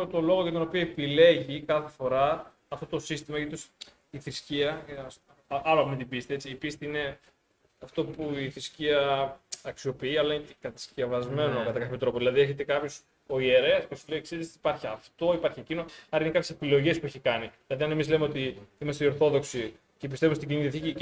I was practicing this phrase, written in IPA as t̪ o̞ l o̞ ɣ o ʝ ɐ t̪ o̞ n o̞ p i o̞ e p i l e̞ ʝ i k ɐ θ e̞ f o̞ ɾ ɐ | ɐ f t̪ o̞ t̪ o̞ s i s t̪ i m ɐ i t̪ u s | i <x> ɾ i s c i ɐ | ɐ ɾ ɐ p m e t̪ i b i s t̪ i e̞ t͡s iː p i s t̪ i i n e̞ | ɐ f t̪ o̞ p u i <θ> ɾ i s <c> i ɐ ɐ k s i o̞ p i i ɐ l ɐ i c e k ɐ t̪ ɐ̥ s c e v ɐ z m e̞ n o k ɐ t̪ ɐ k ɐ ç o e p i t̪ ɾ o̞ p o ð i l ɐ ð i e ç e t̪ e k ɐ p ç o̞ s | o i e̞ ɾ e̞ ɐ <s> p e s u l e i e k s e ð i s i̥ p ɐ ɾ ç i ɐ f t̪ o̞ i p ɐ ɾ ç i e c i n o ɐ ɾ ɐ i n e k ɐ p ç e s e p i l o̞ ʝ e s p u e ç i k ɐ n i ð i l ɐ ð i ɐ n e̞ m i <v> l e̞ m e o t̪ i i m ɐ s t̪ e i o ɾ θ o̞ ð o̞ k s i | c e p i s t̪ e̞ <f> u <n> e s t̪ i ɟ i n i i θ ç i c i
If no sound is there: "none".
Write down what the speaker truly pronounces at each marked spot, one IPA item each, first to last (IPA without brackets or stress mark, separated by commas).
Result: θ, θ, c, s, z, v, m